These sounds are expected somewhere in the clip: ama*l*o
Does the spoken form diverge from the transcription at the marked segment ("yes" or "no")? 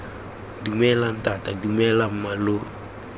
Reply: no